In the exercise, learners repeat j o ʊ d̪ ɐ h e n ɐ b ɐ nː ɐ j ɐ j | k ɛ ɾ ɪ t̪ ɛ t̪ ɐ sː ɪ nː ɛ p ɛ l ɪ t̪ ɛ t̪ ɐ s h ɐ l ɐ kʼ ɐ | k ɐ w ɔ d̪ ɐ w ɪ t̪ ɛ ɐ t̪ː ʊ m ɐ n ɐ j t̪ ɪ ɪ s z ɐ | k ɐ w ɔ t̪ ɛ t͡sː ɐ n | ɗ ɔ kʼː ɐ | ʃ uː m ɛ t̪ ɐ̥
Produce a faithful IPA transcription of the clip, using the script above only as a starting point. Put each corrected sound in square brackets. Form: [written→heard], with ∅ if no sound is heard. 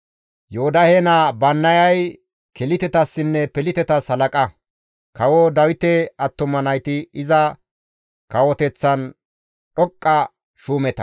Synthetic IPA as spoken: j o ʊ d̪ ɐ h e n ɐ b ɐ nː ɐ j ɐ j | k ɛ [ɾ→l] ɪ t̪ ɛ t̪ ɐ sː ɪ nː ɛ p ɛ l ɪ t̪ ɛ t̪ ɐ s h ɐ l ɐ kʼ ɐ | k ɐ w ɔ d̪ ɐ w ɪ t̪ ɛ ɐ t̪ː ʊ m ɐ n ɐ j t̪ ɪ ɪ [s→∅] z ɐ | k ɐ w ɔ t̪ ɛ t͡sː ɐ n | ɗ ɔ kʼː ɐ | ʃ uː m ɛ t̪ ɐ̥

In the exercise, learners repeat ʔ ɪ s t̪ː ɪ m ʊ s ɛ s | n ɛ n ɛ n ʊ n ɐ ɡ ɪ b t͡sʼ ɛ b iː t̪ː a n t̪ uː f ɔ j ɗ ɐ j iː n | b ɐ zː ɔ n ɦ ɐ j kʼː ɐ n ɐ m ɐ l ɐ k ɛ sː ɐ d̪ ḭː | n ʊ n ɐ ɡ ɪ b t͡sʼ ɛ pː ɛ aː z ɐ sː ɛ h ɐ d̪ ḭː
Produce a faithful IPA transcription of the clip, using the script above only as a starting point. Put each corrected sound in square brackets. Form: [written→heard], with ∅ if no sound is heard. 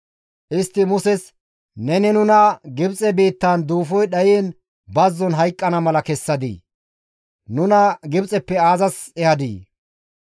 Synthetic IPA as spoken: ʔ ɪ s t̪ː ɪ m ʊ s ɛ s | n ɛ n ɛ n ʊ n ɐ ɡ ɪ b t͡sʼ ɛ b iː t̪ː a n [t̪→d̪] uː f ɔ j ɗ ɐ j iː n | b ɐ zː ɔ n ɦ ɐ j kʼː ɐ n ɐ m ɐ l ɐ k ɛ sː ɐ d̪ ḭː | n ʊ n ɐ ɡ ɪ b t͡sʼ ɛ pː ɛ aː z ɐ [sː→s] ɛ h ɐ d̪ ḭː

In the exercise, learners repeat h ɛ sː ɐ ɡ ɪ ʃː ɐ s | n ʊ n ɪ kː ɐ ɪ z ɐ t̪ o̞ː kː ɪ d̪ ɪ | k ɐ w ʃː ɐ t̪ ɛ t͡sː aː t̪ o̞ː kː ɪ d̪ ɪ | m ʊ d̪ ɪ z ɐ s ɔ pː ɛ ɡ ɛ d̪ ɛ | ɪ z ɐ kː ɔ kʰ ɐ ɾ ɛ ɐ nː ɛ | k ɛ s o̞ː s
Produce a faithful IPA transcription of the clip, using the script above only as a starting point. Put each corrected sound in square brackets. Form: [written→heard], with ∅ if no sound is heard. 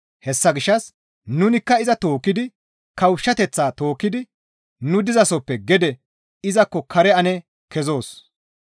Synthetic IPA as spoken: h ɛ sː ɐ ɡ ɪ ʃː ɐ s | n ʊ n ɪ kː ɐ ɪ z ɐ t̪ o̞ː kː ɪ d̪ ɪ | k ɐ w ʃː ɐ t̪ ɛ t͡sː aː t̪ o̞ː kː ɪ d̪ ɪ | [m→n] ʊ d̪ ɪ z ɐ s ɔ pː ɛ ɡ ɛ d̪ ɛ | ɪ z ɐ kː ɔ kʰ ɐ ɾ ɛ ɐ [nː→n] ɛ | k ɛ [s→z] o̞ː s

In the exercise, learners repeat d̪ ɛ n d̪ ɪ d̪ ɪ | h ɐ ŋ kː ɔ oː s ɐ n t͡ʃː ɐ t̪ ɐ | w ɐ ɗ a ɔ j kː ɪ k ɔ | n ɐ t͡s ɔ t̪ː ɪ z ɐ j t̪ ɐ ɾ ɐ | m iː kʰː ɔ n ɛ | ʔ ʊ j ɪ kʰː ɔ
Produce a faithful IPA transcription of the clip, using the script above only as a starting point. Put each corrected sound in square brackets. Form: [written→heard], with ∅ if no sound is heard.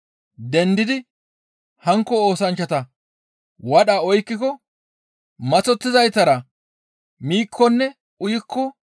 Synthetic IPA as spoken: d̪ ɛ n d̪ ɪ d̪ ɪ | h ɐ ŋ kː ɔ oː s ɐ n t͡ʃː ɐ t̪ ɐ | w ɐ ɗ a ɔ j kː ɪ k ɔ | [n→m] ɐ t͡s ɔ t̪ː ɪ z ɐ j t̪ ɐ ɾ ɐ | m iː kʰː ɔ [n→nː] ɛ | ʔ ʊ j ɪ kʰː ɔ

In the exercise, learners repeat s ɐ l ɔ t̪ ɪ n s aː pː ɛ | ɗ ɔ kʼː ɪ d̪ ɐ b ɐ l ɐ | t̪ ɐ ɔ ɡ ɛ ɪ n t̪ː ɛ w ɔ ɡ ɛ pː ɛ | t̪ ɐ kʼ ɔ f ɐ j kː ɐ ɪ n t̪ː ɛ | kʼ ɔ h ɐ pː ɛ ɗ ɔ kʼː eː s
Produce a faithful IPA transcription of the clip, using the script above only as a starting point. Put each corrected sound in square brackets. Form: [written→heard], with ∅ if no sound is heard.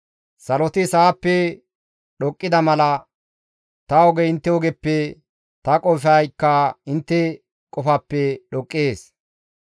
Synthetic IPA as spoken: s ɐ l ɔ t̪ ɪ [n→∅] s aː pː ɛ | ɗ ɔ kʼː ɪ d̪ ɐ [b→m] ɐ l ɐ | t̪ ɐ ɔ ɡ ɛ ɪ n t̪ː ɛ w ɔ ɡ ɛ pː ɛ | t̪ ɐ kʼ ɔ f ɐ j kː ɐ ɪ n t̪ː ɛ | kʼ ɔ [h→f] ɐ pː ɛ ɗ ɔ kʼː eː s

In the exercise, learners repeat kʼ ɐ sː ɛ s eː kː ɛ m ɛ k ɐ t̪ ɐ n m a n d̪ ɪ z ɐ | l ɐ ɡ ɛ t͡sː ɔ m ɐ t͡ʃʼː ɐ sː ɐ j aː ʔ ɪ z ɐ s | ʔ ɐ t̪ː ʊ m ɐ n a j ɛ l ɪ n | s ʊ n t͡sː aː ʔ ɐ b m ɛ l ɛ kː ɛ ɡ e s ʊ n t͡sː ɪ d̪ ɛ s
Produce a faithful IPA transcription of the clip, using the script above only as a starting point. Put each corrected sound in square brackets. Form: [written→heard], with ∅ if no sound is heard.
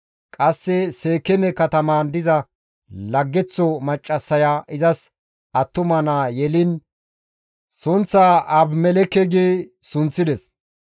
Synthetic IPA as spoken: kʼ ɐ sː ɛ s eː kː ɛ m ɛ k ɐ t̪ ɐ [n→∅] m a n d̪ ɪ z ɐ | l ɐ [ɡ→ɡː] ɛ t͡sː ɔ m ɐ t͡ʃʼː ɐ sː ɐ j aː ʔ ɪ z ɐ s | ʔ ɐ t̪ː ʊ m ɐ n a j ɛ l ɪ n | s ʊ n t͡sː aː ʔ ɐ b m ɛ l ɛ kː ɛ ɡ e s ʊ n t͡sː ɪ d̪ ɛ s

